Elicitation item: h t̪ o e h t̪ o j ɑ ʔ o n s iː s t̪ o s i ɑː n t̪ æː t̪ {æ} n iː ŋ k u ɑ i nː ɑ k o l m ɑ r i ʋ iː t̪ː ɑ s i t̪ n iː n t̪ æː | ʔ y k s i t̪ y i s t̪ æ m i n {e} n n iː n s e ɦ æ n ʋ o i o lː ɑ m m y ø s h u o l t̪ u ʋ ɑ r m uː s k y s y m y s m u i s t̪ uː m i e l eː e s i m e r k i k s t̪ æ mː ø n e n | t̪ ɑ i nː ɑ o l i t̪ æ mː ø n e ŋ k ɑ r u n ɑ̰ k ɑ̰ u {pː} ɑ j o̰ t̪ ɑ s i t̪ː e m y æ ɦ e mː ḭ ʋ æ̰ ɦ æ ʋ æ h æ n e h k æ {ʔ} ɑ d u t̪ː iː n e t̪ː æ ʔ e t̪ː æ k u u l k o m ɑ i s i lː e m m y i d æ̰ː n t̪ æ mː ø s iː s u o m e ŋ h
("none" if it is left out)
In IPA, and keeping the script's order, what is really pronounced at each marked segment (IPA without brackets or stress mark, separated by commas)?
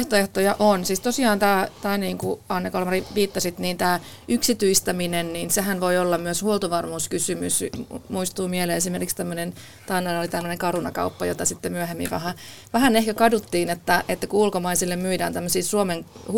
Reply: æː, e, pː, k